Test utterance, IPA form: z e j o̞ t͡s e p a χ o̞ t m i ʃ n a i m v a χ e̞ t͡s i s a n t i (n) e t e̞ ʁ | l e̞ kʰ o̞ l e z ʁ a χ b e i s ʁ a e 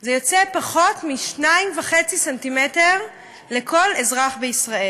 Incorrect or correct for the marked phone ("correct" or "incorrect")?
incorrect